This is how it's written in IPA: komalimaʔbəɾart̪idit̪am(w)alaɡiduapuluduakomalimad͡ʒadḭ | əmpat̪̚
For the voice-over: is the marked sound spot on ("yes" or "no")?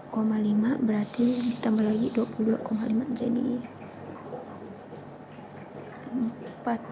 no